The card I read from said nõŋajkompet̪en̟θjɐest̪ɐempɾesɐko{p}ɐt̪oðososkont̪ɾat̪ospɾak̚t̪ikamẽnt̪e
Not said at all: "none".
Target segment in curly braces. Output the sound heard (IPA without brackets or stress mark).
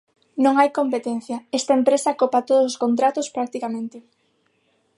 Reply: p